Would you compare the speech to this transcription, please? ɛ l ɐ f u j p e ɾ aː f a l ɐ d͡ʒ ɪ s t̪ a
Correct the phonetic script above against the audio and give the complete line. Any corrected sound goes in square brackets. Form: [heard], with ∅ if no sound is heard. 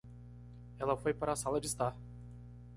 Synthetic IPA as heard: ɛ l ɐ f [o] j p [a] ɾ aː [s] a l ɐ d͡ʒ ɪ s t̪ a